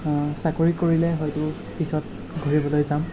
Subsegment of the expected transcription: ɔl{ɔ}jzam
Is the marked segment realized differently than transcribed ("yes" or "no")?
yes